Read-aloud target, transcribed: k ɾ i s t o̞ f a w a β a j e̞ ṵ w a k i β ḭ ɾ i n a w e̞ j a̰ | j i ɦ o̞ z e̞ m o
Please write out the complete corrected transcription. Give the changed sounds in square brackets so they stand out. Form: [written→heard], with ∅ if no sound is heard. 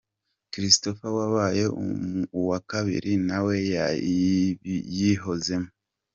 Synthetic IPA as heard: k ɾ i s t o̞ f a w a β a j e̞ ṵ w a k [i→a] β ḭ ɾ i n a w e̞ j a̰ | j i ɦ o̞ z e̞ m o